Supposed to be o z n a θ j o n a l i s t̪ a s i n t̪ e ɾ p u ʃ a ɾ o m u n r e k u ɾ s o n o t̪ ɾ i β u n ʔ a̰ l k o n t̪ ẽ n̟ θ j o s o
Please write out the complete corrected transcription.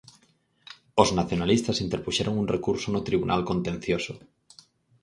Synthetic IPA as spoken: o z n a θ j o n a l i s t̪ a s i n t̪ e ɾ p u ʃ e ɾ o ŋ u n r e k u ɾ s o n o t̪ ɾ i β u n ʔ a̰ l k o n t̪ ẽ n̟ θ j o s o